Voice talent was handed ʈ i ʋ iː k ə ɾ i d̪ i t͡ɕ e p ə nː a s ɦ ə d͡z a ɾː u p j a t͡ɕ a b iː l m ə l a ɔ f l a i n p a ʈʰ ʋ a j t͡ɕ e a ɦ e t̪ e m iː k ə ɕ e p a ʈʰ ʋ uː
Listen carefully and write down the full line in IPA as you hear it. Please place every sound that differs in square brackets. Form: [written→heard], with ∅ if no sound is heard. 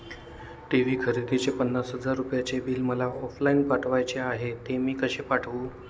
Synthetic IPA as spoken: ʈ i ʋ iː [k→kʰ] ə ɾ i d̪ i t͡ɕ e p ə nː a s ɦ ə d͡z a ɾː u p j a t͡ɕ [a→e] b iː l m ə l a ɔ f l a i n p a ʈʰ ʋ a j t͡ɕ e a ɦ e t̪ e m iː k ə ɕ e p a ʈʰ ʋ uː